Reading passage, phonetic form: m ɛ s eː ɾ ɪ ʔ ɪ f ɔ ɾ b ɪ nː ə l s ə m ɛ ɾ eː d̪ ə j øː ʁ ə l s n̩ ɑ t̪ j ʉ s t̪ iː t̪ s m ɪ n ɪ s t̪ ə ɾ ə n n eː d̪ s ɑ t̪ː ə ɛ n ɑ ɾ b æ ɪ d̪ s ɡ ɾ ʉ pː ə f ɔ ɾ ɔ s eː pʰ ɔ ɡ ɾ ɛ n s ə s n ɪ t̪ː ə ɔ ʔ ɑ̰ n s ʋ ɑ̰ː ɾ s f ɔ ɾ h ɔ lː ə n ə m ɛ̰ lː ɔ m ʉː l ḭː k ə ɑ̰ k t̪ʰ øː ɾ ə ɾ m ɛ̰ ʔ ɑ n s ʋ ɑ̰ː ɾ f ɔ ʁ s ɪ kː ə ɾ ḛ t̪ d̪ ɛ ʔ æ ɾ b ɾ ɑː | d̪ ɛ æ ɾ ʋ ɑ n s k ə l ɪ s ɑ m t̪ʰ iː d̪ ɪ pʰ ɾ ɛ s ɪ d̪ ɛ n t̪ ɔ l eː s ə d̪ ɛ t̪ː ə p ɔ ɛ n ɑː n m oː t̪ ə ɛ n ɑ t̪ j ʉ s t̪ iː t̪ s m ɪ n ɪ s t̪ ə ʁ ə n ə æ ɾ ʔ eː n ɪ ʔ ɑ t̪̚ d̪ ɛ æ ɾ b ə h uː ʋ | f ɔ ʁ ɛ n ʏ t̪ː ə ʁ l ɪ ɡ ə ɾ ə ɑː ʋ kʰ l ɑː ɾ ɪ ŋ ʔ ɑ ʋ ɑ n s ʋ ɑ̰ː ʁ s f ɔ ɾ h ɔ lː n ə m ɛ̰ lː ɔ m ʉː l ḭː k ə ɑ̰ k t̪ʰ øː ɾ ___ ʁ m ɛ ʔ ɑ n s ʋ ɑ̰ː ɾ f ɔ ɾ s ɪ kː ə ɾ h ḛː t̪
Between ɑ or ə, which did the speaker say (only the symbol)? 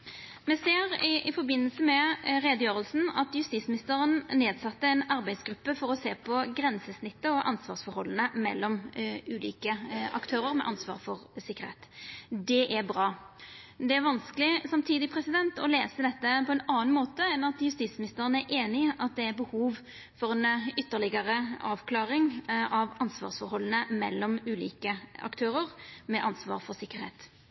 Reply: ə